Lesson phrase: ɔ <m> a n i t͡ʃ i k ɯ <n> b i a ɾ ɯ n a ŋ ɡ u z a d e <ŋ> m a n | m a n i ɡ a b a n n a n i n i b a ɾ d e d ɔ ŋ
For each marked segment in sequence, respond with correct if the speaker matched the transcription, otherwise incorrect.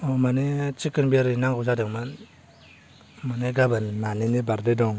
correct, correct, correct

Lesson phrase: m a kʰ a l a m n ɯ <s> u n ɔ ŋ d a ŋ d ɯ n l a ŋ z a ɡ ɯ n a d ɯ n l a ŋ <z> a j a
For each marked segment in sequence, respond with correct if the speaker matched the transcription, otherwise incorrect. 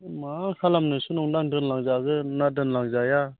correct, correct

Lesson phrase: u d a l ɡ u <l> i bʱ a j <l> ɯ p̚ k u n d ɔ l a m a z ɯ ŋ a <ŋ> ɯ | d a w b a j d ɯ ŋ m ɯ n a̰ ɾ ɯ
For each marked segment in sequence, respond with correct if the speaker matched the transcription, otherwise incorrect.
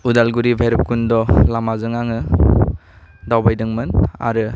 incorrect: ɾ, incorrect: ɾ, correct

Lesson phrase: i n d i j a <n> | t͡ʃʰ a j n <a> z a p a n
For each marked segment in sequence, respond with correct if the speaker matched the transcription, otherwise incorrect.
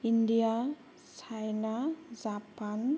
incorrect: none, correct

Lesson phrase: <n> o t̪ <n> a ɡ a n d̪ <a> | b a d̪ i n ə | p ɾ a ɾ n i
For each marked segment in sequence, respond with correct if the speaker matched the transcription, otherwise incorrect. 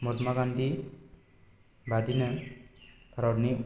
incorrect: m, incorrect: m, incorrect: i

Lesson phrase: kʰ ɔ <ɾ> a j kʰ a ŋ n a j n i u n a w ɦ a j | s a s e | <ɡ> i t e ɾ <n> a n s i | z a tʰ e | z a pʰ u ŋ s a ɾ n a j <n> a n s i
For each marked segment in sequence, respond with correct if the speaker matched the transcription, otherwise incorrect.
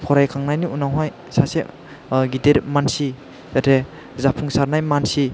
correct, correct, incorrect: m, incorrect: m

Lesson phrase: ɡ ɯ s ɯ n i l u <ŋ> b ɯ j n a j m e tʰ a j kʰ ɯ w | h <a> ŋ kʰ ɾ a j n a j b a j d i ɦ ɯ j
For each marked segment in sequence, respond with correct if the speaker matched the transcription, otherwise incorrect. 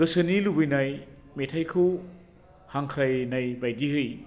incorrect: none, correct

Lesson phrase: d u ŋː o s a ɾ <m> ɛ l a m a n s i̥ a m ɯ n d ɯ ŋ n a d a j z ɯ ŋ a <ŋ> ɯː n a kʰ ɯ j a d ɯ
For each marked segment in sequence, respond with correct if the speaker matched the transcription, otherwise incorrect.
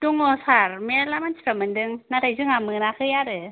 correct, incorrect: m

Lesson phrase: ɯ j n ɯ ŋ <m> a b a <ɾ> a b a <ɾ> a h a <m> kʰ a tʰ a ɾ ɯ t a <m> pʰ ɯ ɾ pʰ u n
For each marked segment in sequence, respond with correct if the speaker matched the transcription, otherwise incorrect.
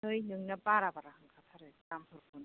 incorrect: n, correct, correct, incorrect: ŋ, correct

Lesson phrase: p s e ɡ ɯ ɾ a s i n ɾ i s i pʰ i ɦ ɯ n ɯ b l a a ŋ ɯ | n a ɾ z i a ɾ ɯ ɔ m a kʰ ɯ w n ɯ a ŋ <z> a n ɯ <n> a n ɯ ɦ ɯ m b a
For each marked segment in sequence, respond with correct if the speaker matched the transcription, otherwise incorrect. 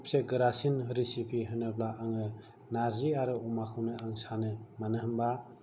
incorrect: s, incorrect: m

